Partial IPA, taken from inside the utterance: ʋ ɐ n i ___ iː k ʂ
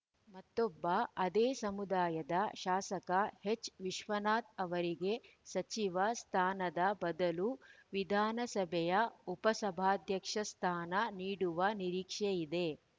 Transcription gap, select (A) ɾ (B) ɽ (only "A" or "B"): A